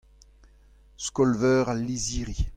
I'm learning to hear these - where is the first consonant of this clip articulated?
tongue tip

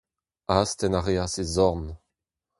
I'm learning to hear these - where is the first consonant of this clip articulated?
tongue tip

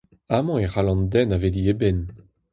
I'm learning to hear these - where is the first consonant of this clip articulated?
lips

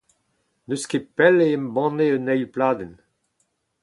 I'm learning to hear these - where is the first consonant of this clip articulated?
tongue tip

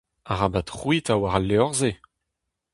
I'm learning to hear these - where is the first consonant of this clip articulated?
uvula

